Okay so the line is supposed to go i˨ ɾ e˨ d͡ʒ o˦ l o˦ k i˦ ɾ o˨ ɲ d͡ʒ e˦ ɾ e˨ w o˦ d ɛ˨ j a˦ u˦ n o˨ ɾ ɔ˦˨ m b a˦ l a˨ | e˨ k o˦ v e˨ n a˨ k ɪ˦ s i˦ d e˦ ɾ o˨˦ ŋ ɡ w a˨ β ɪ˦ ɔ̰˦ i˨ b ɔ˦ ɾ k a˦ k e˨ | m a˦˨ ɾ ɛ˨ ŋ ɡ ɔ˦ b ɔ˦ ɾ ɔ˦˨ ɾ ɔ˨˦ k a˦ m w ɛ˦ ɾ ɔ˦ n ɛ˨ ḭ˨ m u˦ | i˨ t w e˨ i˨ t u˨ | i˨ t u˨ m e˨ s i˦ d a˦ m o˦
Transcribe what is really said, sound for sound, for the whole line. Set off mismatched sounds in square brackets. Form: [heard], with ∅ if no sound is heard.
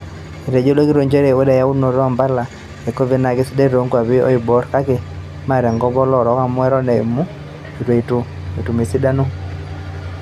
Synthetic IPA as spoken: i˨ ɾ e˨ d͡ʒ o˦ l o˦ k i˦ ɾ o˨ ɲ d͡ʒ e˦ ɾ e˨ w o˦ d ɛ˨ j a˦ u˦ n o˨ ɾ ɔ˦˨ m b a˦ l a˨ | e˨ k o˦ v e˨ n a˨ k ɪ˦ s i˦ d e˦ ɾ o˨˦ ŋ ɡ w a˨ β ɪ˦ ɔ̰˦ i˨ b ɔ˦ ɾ k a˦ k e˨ | m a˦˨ ɾ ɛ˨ ŋ ɡ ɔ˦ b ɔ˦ [l] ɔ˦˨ ɾ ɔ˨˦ k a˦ m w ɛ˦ ɾ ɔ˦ n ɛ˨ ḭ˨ m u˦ | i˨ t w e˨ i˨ t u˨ | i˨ t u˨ m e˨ s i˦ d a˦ [n] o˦